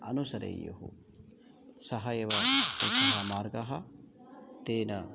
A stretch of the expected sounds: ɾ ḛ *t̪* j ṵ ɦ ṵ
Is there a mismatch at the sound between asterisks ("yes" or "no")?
yes